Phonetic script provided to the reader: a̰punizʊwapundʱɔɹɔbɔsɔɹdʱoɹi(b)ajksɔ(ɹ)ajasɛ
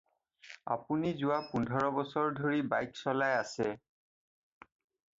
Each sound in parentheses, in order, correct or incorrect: correct, incorrect: l

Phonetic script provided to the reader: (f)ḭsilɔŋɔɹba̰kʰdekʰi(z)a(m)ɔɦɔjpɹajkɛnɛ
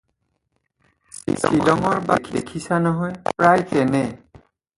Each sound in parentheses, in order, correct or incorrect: incorrect: s, incorrect: s, incorrect: n

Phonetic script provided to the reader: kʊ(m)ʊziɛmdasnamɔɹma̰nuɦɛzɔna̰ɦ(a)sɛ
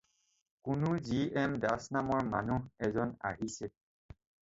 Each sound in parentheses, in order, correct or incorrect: incorrect: n, incorrect: i

